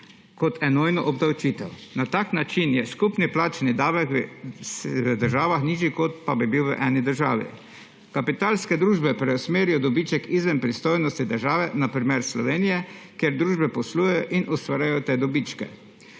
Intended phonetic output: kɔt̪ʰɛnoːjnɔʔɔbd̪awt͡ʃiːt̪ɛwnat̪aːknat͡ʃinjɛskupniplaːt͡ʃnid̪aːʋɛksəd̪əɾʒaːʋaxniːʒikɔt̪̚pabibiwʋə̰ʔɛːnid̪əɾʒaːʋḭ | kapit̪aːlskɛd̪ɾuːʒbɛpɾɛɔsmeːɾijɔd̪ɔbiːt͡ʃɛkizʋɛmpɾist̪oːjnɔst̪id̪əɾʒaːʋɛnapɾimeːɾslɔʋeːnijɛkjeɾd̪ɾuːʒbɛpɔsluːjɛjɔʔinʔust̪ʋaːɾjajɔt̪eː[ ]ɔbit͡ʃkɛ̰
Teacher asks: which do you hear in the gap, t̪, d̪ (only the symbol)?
d̪